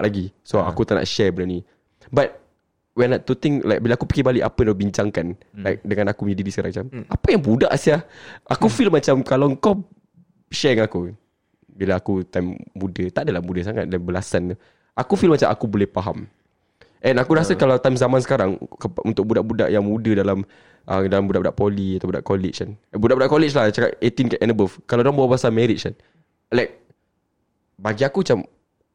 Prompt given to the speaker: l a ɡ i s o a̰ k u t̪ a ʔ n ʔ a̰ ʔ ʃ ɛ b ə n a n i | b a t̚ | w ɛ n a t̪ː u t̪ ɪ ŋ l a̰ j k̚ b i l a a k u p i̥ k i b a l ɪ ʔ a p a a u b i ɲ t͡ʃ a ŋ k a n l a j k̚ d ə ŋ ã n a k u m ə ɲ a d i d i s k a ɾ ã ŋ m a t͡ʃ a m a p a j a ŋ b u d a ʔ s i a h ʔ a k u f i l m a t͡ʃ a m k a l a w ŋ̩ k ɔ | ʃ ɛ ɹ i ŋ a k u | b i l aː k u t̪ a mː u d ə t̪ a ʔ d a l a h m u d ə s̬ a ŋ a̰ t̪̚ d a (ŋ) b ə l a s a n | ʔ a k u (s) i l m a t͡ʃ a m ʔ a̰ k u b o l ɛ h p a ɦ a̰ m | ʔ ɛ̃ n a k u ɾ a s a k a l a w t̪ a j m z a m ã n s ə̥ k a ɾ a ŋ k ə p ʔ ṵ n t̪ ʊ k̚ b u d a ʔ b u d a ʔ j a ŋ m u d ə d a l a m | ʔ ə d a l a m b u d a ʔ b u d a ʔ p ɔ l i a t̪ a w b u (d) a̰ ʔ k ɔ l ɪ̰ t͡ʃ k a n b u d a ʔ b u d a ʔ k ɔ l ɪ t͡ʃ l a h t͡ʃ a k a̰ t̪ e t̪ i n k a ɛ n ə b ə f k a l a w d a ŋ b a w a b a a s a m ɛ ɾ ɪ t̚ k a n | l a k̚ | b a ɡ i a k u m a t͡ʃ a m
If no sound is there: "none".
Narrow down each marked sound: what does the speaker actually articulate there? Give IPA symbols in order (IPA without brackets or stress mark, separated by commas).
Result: n, f, d